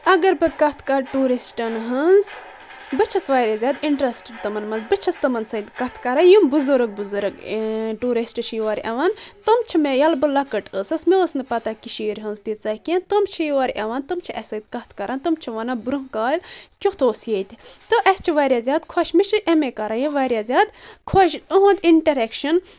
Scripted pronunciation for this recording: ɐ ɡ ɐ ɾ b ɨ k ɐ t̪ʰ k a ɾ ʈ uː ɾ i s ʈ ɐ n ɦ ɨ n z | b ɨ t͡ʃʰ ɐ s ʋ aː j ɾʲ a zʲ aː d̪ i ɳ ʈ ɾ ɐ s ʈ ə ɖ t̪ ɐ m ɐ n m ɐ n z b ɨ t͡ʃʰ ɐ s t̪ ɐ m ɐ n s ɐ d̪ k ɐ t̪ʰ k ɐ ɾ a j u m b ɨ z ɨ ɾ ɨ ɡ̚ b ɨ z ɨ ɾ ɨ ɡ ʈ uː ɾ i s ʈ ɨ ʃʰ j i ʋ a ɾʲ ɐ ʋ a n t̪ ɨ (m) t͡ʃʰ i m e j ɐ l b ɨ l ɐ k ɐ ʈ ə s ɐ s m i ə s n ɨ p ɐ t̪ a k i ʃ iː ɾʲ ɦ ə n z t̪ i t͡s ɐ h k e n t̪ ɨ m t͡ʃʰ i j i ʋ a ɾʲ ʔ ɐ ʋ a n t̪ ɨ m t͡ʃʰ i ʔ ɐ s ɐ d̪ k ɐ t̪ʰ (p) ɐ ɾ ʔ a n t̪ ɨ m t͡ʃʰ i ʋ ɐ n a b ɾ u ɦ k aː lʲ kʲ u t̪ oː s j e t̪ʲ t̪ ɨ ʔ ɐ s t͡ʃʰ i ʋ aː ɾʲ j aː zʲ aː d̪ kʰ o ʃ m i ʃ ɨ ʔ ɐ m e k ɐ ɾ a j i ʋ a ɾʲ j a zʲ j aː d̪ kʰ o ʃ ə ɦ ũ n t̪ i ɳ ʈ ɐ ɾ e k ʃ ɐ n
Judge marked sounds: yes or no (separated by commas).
yes, no